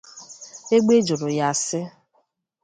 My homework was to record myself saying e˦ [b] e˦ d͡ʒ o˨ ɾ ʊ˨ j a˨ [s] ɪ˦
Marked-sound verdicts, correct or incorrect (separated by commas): incorrect, correct